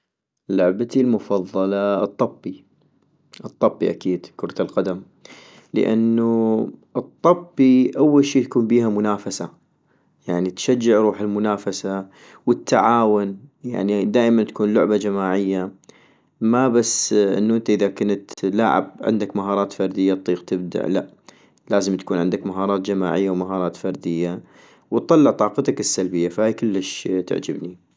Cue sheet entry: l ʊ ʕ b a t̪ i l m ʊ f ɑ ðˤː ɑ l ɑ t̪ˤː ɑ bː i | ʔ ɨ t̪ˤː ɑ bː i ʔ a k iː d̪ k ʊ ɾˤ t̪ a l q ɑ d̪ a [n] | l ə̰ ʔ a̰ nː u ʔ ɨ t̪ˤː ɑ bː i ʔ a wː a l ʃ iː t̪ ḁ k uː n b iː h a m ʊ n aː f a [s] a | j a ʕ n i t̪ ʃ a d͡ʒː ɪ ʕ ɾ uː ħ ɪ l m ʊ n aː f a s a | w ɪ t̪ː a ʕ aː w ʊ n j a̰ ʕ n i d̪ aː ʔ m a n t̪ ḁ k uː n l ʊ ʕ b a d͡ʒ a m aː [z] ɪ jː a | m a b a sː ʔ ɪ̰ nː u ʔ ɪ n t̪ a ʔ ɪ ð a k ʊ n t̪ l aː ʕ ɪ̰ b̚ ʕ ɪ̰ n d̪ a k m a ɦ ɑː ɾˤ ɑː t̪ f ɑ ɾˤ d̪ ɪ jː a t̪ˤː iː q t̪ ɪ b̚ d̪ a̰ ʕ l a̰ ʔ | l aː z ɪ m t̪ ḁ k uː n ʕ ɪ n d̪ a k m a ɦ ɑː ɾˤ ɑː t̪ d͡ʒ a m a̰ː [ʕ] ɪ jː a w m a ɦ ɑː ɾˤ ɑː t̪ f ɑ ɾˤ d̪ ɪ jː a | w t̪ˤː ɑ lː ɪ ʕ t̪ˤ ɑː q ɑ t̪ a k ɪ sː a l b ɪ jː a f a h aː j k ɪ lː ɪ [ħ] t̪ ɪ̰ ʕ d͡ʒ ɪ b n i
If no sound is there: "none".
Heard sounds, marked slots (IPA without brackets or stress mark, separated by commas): m, s, ʕ, ʕ, ʃ